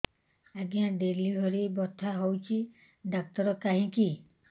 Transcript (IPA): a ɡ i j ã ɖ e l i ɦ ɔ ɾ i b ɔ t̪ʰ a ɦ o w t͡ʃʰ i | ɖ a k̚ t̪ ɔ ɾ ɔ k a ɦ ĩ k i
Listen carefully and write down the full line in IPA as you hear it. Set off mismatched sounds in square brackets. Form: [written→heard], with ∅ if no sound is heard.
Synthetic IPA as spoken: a ɡ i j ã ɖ e l i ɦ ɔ ɾ i b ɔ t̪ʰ a ɦ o w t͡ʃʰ i | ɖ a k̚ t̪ ɔ ɾ ɔ k a ɦ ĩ k i